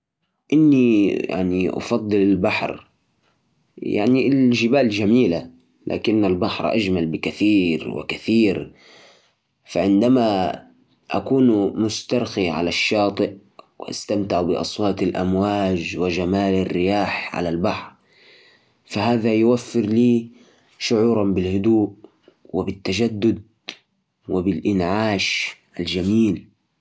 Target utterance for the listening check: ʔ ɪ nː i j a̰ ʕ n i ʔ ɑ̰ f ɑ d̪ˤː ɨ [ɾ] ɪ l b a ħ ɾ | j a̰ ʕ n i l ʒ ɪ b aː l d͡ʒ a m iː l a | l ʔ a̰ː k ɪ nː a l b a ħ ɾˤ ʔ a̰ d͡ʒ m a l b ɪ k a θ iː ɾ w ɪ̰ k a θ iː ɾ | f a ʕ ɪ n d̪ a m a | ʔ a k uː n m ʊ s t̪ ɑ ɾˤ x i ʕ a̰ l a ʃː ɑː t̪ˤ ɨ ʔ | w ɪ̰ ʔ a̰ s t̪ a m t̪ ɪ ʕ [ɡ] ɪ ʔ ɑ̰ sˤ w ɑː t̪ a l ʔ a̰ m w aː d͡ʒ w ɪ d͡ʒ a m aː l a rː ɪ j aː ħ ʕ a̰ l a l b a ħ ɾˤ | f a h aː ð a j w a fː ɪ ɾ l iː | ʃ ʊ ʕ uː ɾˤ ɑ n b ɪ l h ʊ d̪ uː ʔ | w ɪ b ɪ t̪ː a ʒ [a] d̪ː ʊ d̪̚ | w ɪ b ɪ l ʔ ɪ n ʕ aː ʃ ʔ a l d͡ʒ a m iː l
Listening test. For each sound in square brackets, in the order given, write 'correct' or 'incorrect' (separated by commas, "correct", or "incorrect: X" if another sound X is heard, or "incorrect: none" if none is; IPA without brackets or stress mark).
incorrect: l, incorrect: b, correct